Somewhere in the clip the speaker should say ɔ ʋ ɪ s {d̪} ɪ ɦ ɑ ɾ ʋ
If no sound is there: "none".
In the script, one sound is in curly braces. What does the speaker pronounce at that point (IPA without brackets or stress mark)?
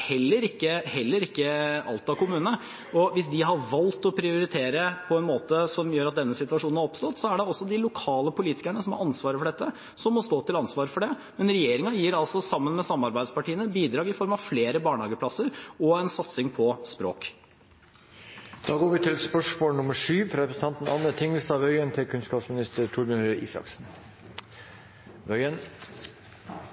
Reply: d̪